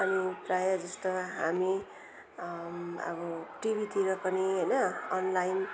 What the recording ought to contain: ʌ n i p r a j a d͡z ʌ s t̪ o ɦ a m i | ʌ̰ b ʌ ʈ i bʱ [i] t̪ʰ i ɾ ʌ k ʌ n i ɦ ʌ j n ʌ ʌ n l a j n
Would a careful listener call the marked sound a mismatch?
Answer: no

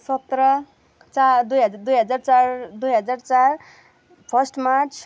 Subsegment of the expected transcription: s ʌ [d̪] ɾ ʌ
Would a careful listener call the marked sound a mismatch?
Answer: yes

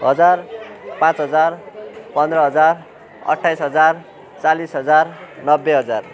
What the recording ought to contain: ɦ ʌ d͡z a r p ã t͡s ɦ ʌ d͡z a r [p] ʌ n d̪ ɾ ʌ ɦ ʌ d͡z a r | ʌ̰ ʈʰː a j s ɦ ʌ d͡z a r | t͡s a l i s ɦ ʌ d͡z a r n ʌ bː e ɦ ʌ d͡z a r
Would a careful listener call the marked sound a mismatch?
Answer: no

